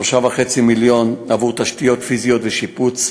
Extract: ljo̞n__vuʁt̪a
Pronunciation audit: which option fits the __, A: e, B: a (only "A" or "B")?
B